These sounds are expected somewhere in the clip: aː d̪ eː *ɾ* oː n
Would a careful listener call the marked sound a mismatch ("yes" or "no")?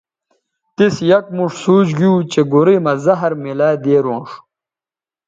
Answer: no